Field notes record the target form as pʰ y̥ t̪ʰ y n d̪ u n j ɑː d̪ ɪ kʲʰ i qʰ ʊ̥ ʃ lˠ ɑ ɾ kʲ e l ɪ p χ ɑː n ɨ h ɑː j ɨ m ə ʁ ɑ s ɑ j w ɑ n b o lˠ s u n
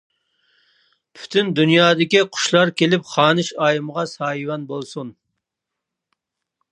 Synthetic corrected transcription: pʰ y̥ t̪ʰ y n d̪ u n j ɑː d̪ ɪ kʲ i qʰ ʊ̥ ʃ lˠ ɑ ɾ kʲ e l ɪ p χ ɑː n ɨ ʃ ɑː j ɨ m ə ʁ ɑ s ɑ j w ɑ n b o lˠ s u n